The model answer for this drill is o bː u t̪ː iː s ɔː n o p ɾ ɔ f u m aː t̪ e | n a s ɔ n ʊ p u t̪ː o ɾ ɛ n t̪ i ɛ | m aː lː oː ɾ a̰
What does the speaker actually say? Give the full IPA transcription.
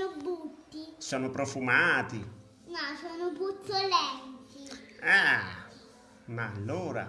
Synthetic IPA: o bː u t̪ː i s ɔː n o p ɾ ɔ f u m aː t̪ i | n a s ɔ n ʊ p u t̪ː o l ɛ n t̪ i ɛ | m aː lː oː ɾ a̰

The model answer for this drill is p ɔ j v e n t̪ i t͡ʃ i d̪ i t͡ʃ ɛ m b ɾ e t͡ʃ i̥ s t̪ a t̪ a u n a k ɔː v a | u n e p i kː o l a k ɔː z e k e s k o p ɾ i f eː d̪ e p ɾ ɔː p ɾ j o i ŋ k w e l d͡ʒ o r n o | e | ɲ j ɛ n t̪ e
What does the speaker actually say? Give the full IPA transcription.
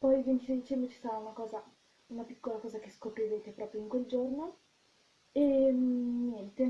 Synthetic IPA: p ɔ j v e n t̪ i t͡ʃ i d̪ i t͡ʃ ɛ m b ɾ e t͡ʃ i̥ s t̪ a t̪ a u n a k ɔː z a | u n a p i kː o l a k ɔː z a k e s k o p ɾ i v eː t̪ e p ɾ ɔː p ɾ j o i ŋ k w e l d͡ʒ o r n o | e | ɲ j ɛ n t̪ e

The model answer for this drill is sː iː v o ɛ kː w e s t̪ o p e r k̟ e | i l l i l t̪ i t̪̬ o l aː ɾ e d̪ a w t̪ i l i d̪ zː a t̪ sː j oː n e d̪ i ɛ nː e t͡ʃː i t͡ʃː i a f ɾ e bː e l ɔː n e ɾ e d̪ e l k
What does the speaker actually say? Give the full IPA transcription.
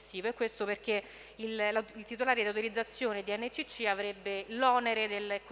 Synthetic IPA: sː iː v o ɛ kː w e s t̪ o p e r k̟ e | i l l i l t̪ i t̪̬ o l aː ɾ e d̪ a w t̪ i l i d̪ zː a t̪ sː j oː n e d̪ i ɛ nː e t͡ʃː i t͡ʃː i a v ɾ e bː e l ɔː n e ɾ e d̪ e l k

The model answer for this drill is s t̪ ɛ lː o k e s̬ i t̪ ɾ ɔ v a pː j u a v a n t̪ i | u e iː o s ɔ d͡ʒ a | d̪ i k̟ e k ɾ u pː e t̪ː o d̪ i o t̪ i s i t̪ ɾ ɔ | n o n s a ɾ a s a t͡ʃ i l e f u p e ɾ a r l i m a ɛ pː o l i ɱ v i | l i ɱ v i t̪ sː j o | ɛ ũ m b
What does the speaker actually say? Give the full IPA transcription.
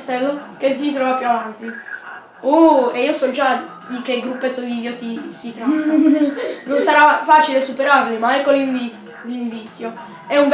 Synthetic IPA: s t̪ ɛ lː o k e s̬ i t̪ ɾ ɔ v a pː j u a v a n t̪ i | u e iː o s ɔ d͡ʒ a | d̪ i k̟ e ɡ ɾ u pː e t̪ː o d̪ i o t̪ i s i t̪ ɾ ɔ | n o n s a ɾ a f a t͡ʃ i l e s u p e ɾ a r l i m a ɛ kː o l i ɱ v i | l i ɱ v i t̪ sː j o | ɛ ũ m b

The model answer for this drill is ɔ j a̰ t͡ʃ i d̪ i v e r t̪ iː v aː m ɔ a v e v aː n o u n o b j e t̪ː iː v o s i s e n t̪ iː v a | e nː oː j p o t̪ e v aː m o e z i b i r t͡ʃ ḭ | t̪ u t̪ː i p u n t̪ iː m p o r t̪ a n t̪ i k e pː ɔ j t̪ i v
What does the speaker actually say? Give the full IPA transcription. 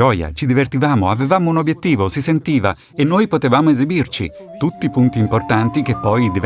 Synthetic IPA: ɔ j a̰ t͡ʃ i d̪ i v e r t̪ i v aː m o a v e v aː m o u n o b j e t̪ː iː v o s i s e n t̪ iː v a | e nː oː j p o t̪ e v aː m o e z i b i r t͡ʃ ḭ | t̪ u t̪ː i p u n t̪ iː m p o r t̪ a n t̪ i k e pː ɔ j d̪ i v

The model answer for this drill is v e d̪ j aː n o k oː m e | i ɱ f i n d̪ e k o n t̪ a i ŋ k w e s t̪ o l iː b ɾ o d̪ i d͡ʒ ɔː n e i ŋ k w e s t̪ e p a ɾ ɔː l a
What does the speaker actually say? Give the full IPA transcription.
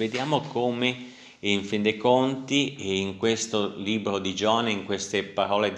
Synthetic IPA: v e d̪ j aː m o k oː m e | i ɱ f i n d̪ e k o n t̪ i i ŋ k w e s t̪ o l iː b ɾ o d̪ i d͡ʒ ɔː n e i ŋ k w e s t̪ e p a ɾ ɔː l e

